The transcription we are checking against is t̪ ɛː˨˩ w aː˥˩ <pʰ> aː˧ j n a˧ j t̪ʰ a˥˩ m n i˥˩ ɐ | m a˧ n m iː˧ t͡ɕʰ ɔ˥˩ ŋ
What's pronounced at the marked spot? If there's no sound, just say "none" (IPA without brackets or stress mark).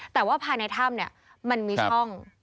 pʰ